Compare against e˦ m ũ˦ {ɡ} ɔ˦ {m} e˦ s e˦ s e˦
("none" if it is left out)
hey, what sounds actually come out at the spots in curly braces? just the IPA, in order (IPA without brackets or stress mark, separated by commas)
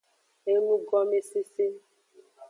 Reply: ɡ, m